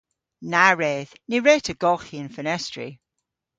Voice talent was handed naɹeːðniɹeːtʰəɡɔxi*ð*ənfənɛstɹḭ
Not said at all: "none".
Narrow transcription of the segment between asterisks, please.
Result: none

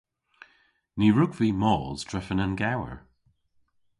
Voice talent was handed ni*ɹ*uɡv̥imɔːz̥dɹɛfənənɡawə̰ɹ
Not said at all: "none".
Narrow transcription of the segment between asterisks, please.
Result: ɹ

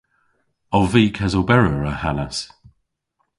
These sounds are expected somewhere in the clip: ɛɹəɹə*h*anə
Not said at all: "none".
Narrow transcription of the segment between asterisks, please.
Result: h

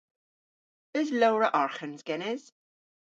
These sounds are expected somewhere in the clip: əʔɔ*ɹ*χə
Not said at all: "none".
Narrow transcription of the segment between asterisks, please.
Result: ɹ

